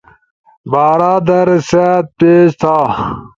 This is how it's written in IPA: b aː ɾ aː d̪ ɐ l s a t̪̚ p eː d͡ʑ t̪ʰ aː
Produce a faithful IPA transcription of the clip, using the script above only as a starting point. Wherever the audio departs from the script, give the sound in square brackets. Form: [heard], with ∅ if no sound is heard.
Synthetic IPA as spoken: b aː ɾ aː d̪ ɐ [ɾ] s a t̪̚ p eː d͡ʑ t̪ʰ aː

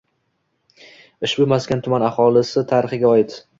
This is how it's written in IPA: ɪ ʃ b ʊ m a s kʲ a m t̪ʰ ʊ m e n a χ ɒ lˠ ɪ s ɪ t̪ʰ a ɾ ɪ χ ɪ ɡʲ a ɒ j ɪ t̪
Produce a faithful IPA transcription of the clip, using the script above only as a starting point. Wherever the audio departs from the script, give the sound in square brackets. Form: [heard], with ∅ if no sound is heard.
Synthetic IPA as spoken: ɪ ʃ b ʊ m a s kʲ a [n] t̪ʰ ʊ m [a] n a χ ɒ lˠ ɪ s ɪ t̪ʰ a ɾ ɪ χ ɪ ɡʲ a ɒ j ɪ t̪

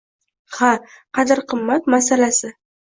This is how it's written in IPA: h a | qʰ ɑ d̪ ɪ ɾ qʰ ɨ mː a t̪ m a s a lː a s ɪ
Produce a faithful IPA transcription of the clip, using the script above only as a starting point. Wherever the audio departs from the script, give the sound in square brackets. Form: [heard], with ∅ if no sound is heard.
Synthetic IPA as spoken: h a | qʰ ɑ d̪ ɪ ɾ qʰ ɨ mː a t̪ m a s a [l] a s ɪ

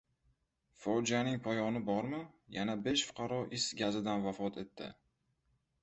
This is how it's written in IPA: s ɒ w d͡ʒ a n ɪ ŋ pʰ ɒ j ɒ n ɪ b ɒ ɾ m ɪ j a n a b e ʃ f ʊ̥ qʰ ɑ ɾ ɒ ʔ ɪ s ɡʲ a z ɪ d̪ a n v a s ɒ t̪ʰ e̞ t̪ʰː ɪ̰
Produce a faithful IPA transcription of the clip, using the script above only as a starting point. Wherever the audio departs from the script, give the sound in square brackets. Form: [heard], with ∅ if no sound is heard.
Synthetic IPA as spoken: [f] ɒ w d͡ʒ a n ɪ ŋ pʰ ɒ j ɒ n ɪ b ɒ ɾ m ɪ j a n a b e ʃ f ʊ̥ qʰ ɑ ɾ ɒ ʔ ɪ s ɡʲ a z ɪ d̪ a n v a [f] ɒ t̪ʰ e̞ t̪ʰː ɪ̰

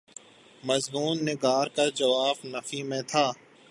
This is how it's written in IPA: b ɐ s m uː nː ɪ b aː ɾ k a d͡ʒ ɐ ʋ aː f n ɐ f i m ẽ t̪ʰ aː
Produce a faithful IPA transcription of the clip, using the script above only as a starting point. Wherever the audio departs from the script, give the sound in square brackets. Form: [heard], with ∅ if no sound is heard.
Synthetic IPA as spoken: [m] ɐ [z] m uː nː ɪ [ɡ] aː ɾ k a d͡ʒ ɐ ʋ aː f n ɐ f i m ẽ t̪ʰ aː

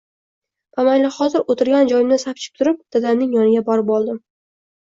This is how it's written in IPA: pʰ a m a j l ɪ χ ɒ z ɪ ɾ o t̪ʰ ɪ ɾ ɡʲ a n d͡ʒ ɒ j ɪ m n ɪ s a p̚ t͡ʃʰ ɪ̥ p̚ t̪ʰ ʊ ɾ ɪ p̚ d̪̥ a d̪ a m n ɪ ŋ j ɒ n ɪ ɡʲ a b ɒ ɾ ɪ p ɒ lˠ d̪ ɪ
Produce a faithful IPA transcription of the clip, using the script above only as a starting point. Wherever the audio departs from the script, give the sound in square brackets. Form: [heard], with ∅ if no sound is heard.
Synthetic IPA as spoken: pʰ a m a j l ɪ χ ɒ z ɪ ɾ o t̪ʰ ɪ ɾ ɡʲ a n d͡ʒ ɒ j ɪ m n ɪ s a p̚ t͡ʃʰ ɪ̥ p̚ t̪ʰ ʊ ɾ ɪ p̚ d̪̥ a d̪ a m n ɪ ŋ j ɒ n ɪ ɡʲ a b ɒ ɾ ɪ p ɒ lˠ d̪ ɪ

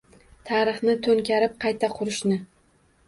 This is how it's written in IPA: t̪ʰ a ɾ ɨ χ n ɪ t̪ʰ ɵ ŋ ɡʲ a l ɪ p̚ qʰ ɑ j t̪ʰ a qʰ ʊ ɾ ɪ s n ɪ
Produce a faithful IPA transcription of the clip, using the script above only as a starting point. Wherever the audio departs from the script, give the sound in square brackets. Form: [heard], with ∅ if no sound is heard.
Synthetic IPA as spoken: t̪ʰ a ɾ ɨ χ n ɪ t̪ʰ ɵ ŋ [kʲ] a [ɾ] ɪ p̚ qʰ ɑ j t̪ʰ a qʰ ʊ ɾ ɪ [ʃ] n ɪ

